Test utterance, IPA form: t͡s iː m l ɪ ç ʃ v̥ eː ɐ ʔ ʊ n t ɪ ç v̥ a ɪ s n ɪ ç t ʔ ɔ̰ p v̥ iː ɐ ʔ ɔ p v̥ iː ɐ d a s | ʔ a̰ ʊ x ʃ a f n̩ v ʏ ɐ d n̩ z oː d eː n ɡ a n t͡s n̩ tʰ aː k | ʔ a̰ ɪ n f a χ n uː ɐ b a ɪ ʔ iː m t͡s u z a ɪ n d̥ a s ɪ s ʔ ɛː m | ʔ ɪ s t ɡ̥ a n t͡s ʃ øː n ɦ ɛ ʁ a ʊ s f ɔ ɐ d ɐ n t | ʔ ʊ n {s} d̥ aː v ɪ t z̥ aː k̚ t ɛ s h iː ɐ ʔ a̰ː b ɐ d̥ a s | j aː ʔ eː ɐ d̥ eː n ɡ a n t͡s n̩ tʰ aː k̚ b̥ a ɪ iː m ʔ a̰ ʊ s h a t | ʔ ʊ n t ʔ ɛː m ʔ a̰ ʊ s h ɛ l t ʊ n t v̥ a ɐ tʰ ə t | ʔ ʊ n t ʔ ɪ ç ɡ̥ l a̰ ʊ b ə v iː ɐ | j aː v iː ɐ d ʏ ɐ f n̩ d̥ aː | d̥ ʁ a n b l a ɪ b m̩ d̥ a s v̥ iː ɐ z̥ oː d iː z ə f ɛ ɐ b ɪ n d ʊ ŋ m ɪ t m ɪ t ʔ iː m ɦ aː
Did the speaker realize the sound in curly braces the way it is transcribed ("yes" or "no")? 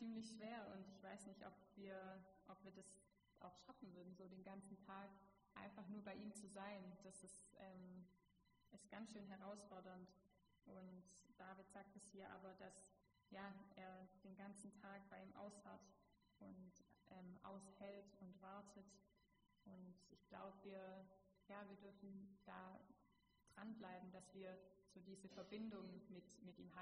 no